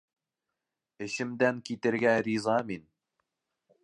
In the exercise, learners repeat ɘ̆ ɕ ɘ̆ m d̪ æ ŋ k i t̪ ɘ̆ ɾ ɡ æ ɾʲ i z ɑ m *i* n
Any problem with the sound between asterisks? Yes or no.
no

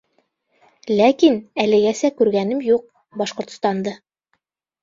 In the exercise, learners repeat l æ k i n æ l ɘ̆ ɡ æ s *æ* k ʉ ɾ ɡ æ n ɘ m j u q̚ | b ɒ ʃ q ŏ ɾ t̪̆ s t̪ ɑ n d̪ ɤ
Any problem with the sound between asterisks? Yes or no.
no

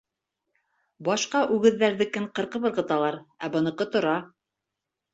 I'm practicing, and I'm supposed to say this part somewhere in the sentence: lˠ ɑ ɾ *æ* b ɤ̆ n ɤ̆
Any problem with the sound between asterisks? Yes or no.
no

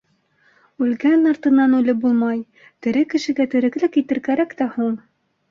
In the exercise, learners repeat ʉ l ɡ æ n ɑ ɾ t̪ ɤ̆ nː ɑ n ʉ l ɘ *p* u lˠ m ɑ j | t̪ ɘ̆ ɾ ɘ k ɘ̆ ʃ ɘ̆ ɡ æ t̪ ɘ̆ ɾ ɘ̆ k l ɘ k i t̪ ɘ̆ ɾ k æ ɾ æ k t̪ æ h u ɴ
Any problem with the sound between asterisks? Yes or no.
yes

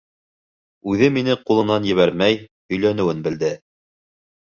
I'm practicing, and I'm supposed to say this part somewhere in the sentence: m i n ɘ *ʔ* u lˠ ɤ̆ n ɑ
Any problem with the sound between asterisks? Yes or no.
yes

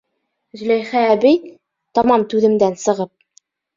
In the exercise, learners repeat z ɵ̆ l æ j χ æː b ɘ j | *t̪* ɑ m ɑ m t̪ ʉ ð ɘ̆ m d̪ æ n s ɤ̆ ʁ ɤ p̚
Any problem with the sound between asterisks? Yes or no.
no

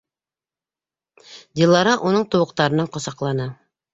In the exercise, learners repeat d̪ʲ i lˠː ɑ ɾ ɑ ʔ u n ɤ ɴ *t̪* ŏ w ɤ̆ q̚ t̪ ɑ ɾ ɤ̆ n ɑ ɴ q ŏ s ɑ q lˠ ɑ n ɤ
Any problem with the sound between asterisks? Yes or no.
no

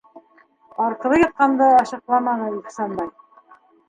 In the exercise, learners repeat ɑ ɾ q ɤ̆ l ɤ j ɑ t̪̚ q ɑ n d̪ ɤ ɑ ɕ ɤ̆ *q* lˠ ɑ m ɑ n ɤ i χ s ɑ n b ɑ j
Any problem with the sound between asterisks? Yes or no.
no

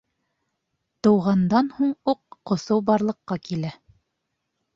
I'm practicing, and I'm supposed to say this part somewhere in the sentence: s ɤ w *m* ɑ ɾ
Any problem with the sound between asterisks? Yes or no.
yes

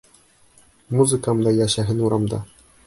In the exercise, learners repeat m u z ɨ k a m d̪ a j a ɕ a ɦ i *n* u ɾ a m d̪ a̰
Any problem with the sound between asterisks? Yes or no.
no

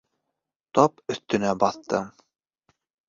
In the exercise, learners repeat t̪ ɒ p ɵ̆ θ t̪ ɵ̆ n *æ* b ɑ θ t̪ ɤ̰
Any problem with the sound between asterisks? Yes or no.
no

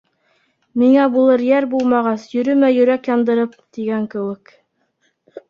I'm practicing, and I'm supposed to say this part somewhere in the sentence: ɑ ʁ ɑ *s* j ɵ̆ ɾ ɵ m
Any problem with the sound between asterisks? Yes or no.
no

